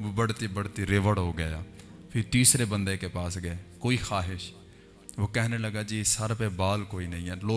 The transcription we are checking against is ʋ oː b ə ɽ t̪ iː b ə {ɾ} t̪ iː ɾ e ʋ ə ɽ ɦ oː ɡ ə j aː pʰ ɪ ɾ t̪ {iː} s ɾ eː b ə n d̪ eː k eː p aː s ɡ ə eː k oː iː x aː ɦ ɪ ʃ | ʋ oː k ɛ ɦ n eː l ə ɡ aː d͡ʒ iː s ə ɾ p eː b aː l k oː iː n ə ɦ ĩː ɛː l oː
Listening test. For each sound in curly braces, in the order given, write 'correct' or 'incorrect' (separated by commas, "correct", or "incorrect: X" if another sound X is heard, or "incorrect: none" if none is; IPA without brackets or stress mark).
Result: incorrect: ɽ, correct